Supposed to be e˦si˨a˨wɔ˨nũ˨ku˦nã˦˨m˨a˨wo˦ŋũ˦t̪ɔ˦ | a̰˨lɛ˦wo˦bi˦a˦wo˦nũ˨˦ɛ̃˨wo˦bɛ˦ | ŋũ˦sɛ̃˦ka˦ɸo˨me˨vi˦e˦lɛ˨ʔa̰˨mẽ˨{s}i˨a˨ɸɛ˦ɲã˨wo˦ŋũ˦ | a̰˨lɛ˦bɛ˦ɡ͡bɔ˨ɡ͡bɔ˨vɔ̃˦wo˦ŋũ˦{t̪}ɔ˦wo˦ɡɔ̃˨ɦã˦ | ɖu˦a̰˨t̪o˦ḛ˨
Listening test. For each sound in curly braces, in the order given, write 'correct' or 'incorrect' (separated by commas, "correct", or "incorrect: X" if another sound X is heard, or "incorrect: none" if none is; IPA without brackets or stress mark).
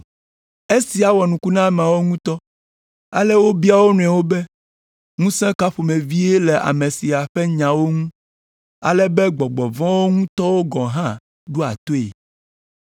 correct, correct